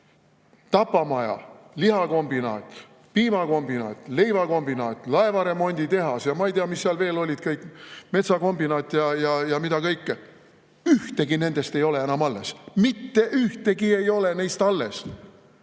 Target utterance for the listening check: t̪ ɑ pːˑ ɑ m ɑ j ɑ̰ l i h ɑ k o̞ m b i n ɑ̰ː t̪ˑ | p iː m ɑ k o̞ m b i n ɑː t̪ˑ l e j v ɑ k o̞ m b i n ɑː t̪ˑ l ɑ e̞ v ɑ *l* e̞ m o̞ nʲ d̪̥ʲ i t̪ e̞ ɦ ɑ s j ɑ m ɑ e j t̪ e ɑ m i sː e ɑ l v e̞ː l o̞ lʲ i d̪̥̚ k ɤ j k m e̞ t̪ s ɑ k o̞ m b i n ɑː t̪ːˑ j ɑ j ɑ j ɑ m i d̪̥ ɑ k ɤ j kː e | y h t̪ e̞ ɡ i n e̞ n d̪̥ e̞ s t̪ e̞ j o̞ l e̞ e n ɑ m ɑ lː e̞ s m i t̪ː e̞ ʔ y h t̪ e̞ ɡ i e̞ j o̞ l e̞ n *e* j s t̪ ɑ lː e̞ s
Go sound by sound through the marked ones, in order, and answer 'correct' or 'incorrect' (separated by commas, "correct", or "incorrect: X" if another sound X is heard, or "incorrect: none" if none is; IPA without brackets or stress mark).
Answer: incorrect: ɾ, correct